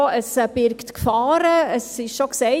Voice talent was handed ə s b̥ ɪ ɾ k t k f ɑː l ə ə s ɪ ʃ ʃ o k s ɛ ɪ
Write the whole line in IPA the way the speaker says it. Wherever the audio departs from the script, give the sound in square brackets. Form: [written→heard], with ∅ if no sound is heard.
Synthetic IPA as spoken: ə s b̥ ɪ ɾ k t k f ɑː [l→ɾ] ə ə s ɪ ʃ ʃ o k s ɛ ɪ